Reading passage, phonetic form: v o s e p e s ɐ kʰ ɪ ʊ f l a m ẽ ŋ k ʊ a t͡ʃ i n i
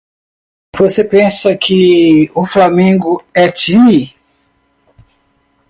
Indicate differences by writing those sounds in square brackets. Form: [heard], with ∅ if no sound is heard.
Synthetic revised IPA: v o s e p [ẽ] s ɐ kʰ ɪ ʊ f l a m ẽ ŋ [ɡ] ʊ [ɛ] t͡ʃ i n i